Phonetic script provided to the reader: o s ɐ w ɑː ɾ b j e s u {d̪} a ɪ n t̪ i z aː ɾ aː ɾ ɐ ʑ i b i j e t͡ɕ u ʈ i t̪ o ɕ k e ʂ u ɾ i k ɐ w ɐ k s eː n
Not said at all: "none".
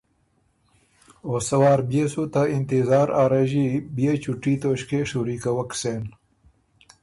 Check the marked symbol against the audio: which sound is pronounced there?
t̪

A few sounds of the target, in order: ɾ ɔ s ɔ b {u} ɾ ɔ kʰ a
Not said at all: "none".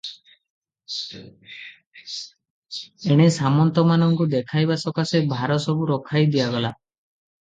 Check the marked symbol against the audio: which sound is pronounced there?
u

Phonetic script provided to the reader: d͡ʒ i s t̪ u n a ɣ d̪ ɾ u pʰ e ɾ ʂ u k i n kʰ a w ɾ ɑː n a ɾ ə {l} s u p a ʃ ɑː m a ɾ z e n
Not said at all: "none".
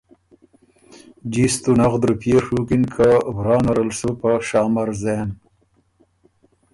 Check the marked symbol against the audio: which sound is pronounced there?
l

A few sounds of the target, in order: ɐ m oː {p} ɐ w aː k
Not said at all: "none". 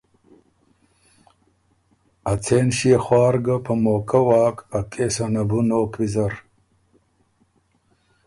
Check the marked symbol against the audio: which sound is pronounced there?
k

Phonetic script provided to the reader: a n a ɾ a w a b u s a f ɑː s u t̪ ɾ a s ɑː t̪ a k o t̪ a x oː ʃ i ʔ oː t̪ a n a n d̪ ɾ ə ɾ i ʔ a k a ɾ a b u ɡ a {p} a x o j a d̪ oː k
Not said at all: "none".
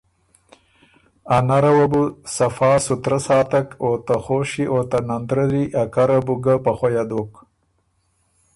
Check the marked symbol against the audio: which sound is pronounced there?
p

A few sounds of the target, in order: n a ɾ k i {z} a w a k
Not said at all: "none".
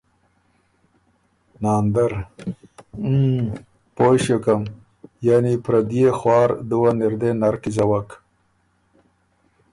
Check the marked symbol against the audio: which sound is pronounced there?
z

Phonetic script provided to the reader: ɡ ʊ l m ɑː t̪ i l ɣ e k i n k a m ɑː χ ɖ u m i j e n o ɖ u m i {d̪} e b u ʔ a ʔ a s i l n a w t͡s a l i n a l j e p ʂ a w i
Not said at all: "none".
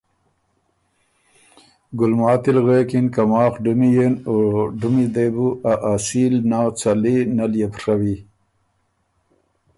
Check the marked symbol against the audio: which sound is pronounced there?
d̪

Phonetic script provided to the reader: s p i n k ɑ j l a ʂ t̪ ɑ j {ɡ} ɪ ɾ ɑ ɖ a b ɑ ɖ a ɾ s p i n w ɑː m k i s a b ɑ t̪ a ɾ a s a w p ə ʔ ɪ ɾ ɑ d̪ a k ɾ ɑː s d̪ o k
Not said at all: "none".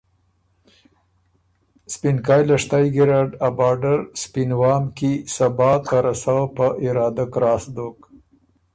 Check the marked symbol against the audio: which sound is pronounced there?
ɡ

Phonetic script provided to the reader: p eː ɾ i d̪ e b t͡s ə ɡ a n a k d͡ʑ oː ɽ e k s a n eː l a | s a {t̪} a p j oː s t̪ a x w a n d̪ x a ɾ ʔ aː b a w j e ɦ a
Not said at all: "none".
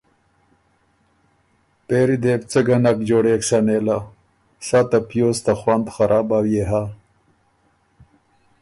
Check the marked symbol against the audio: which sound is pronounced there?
t̪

